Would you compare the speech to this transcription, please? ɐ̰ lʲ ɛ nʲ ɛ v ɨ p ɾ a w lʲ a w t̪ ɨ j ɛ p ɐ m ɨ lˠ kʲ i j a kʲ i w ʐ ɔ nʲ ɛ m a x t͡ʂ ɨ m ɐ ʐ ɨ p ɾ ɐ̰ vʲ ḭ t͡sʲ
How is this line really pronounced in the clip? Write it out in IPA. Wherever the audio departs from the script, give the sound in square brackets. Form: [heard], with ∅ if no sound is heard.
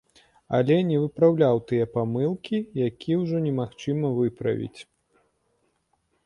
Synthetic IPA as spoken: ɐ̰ lʲ ɛ nʲ ɛ v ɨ p ɾ a w lʲ a w t̪ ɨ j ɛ p [a] m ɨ lˠ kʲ i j a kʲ i w ʐ ɔ nʲ ɛ m a x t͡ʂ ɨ m ɐ [v] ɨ p ɾ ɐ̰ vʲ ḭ t͡sʲ